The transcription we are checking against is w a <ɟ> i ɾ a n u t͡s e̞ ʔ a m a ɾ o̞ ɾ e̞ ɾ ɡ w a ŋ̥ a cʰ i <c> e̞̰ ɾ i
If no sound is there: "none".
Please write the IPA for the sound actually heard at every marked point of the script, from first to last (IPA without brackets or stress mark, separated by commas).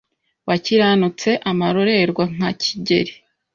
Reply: c, ɟ